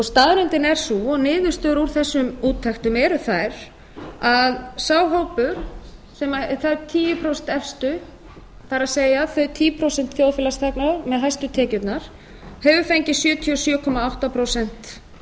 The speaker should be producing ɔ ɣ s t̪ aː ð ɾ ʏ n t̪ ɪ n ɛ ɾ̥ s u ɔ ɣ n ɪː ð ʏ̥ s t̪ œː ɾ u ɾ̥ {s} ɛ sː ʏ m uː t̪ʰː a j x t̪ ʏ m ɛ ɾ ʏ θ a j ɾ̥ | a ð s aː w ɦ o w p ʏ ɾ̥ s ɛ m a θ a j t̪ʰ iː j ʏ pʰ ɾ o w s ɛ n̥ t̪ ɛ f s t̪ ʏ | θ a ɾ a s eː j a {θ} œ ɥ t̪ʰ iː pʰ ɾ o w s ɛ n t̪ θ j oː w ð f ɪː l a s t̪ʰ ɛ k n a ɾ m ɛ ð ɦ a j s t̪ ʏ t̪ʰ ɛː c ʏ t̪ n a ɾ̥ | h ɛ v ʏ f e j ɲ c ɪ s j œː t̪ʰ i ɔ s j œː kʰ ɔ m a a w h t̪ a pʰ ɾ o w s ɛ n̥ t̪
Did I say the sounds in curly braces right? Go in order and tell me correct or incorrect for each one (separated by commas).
incorrect, correct